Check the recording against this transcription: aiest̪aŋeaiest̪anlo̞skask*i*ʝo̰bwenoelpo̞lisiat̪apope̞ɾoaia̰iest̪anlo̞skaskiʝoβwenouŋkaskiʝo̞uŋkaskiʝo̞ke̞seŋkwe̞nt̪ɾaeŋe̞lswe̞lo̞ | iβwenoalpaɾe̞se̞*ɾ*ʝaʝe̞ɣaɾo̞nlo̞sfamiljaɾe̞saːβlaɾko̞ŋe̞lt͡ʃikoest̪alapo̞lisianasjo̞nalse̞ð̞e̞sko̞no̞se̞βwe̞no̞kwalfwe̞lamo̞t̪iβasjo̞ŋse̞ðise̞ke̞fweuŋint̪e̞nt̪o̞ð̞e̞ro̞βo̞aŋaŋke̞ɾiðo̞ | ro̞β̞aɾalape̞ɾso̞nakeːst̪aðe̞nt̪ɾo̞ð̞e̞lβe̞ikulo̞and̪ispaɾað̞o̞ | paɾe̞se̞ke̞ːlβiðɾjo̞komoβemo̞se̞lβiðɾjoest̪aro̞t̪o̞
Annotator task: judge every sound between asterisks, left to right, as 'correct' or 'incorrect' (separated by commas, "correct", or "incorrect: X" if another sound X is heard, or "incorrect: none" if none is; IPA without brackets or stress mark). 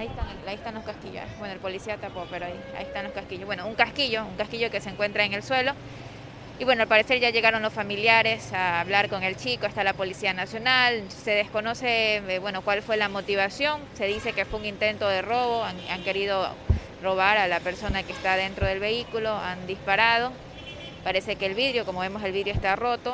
correct, correct